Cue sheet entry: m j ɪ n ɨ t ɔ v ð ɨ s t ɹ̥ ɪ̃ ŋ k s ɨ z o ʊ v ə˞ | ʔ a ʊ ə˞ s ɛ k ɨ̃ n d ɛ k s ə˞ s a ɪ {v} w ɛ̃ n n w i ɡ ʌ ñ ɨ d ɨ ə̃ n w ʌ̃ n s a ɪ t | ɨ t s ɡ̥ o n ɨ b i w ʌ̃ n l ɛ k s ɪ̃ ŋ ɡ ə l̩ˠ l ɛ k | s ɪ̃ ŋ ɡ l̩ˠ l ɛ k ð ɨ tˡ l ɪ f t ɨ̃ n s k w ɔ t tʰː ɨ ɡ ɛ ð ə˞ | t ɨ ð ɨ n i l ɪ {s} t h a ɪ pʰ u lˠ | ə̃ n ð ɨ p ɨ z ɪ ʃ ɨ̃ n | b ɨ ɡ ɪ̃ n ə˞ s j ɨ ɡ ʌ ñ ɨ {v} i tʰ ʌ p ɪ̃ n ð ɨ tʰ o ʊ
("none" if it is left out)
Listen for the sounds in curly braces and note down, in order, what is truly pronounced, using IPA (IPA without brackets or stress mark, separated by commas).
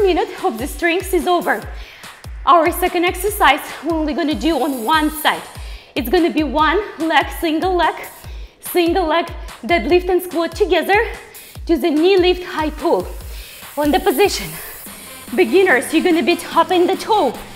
z, f, b